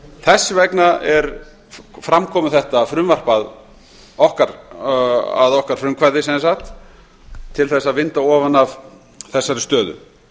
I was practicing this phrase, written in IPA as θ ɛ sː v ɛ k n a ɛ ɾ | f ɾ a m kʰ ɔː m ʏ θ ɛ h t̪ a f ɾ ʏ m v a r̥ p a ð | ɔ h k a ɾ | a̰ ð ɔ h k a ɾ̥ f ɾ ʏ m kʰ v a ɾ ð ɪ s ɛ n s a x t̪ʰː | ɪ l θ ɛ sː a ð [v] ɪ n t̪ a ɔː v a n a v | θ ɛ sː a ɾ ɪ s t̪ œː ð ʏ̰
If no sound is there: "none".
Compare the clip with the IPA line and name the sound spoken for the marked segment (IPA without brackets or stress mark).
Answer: v